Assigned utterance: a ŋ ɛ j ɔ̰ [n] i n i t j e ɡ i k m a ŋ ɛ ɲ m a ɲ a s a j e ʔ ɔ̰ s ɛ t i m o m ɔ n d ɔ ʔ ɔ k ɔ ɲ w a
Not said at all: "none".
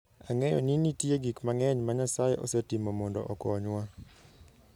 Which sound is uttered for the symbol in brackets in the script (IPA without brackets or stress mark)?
n